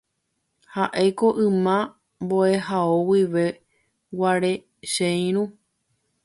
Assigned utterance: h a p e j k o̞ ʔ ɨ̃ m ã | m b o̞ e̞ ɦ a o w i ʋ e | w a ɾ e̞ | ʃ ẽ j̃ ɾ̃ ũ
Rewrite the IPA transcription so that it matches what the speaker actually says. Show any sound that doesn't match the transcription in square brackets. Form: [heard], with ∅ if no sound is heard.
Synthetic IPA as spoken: h a [ʔ] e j k o̞ ʔ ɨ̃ m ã | m b o̞ e̞ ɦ a o w i ʋ e | w a ɾ e̞ | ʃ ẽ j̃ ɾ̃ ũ